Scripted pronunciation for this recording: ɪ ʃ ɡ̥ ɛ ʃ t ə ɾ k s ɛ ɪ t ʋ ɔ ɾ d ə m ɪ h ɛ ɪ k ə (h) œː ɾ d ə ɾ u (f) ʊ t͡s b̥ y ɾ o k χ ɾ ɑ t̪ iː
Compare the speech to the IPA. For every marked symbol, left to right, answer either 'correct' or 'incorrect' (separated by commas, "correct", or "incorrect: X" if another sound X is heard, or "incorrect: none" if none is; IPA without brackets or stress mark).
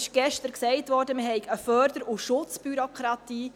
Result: incorrect: f, incorrect: ʃ